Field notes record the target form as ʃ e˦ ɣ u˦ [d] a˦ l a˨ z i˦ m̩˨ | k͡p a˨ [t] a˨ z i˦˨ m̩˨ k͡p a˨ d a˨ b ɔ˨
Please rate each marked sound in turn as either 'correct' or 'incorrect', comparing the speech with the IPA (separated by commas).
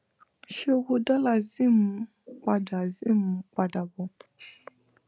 correct, incorrect